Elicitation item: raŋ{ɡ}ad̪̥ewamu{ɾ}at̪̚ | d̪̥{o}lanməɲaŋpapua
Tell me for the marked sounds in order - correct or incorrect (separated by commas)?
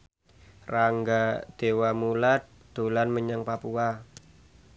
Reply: correct, incorrect, correct